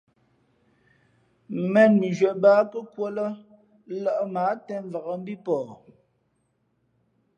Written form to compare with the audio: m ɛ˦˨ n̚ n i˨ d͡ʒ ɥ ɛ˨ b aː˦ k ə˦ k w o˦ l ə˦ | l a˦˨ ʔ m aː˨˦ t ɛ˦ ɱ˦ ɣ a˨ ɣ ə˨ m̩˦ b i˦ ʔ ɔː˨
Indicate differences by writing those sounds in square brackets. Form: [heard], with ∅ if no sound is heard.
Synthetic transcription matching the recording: m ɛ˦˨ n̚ [m] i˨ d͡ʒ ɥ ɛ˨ b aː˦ k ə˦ k w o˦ l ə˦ | l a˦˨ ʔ m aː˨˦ t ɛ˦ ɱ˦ [v] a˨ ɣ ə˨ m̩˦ b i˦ [p] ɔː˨